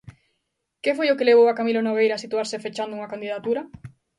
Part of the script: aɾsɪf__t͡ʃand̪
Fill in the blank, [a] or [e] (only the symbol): e